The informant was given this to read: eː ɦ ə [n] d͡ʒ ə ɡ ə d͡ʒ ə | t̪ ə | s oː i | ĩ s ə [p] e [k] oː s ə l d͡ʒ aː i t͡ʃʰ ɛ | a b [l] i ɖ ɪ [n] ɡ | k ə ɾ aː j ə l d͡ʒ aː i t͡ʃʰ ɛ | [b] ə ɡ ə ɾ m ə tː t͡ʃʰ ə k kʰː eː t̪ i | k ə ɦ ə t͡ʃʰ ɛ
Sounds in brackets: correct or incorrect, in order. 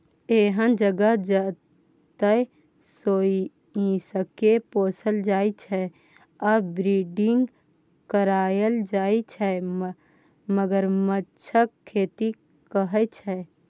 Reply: correct, incorrect, incorrect, incorrect, incorrect, incorrect

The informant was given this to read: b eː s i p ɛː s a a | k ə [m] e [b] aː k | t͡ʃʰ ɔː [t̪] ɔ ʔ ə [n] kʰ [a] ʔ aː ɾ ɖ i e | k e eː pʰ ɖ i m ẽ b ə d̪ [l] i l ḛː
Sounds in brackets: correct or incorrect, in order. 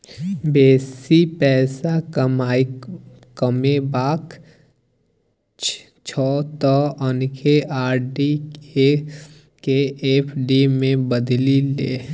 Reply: correct, correct, correct, correct, incorrect, correct

